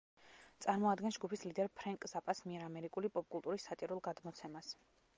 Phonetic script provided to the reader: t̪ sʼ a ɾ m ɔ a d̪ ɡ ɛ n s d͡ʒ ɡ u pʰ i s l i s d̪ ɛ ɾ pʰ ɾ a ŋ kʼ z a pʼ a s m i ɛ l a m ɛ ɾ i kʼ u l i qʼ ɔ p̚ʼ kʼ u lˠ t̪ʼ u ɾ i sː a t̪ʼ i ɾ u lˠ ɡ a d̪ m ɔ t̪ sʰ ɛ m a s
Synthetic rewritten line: t̪ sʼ a ɾ m ɔ a d̪ ɡ ɛ n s d͡ʒ ɡ u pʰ i s l i d̪ ɛ ɾ pʰ ɾ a ŋ kʼ z a pʼ a s m i ɛ ɾ a m ɛ ɾ i kʼ u l i pʼ ɔ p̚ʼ kʼ u lˠ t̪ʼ u ɾ i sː a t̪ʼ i ɾ u lˠ ɡ a d̪ m ɔ t̪ sʰ ɛ m a s